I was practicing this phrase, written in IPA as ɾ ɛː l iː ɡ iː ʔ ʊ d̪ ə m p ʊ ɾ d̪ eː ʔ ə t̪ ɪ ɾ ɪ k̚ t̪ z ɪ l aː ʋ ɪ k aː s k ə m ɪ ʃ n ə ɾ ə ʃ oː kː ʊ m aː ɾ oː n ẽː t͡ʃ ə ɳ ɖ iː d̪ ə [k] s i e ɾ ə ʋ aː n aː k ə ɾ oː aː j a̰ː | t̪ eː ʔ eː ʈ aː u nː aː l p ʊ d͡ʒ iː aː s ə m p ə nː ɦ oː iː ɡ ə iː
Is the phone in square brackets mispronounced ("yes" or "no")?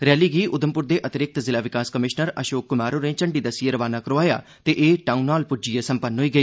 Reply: yes